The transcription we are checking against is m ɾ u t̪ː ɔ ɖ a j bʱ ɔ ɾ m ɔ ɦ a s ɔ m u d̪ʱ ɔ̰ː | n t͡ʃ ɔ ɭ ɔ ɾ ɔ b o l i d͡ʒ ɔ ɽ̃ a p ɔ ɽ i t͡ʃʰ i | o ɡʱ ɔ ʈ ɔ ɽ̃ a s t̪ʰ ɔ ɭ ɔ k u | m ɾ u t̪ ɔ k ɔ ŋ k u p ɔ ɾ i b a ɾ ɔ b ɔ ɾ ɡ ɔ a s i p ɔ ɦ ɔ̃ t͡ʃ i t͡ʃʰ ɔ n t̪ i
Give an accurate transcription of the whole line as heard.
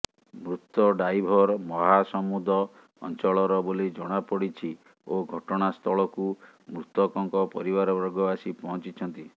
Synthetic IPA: m ɾ u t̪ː ɔ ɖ a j bʱ ɔ ɾ m ɔ ɦ a s ɔ m u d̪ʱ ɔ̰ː | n t͡ʃ ɔ ɭ ɔ ɾ ɔ b o l i d͡ʒ ɔ ɽ̃ a p ɔ ɽ i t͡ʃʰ i | o ɡʱ ɔ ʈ ɔ ɽ̃ a s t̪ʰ ɔ ɭ ɔ k u | m ɾ u t̪ ɔ k ɔ ŋ k ɔ p ɔ ɾ i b a ɾ ɔ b ɔ ɾ ɡ ɔ a s i p ɔ ɦ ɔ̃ t͡ʃ i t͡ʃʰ ɔ n t̪ i